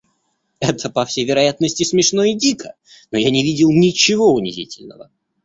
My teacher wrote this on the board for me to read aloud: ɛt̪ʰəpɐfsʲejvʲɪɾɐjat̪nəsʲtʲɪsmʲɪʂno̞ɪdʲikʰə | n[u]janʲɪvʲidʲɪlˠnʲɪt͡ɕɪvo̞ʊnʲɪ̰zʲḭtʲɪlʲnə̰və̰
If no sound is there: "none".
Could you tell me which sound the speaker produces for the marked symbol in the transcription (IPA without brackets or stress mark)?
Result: o